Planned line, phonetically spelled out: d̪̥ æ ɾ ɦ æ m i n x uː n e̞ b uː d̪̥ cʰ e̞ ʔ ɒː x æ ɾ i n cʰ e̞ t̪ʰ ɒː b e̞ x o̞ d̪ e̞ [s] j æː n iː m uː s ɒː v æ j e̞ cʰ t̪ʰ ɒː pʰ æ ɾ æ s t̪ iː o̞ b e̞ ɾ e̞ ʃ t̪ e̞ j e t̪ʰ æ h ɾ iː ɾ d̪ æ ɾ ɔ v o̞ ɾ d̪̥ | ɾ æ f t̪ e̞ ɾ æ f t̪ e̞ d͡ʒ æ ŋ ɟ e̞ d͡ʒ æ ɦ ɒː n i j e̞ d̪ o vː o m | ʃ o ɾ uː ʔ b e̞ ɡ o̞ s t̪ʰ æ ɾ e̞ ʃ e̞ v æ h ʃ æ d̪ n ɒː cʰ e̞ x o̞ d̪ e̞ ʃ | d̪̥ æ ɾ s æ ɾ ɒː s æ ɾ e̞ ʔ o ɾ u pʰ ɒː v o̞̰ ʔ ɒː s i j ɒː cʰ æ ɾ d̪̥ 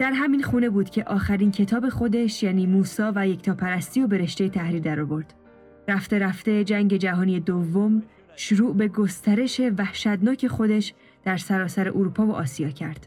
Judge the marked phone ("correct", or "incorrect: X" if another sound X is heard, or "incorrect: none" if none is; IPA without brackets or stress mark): incorrect: ʃ